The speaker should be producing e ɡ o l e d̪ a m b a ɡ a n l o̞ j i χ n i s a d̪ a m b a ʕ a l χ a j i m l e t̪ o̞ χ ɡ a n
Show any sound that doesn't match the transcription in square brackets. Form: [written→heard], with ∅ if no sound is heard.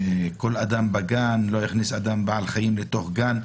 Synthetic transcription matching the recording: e [ɡ→k] o l [e→a] d̪ a m b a ɡ a n l o̞ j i χ n i s a d̪ a m b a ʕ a l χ a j i m l e t̪ o̞ χ ɡ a n